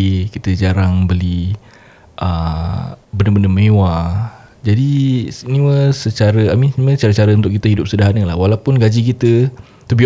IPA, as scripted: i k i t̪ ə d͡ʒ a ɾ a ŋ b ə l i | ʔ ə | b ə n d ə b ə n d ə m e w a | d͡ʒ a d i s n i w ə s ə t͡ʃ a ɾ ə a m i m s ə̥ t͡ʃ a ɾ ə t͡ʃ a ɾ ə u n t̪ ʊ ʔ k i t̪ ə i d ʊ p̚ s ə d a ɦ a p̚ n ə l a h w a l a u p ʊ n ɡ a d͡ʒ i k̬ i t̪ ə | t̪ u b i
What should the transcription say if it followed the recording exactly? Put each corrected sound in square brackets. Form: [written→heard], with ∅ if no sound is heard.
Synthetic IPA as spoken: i k i t̪ ə d͡ʒ a ɾ a ŋ b ə l i | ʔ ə | b ə n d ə b ə n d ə m e w a | d͡ʒ a d i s n i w ə s ə t͡ʃ a ɾ ə a m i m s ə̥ t͡ʃ a ɾ ə t͡ʃ a ɾ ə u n t̪ ʊ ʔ k i t̪ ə i d ʊ p̚ s ə d a ɦ a [p̚→∅] n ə l a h w a l a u p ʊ n ɡ a d͡ʒ i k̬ i t̪ ə | t̪ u b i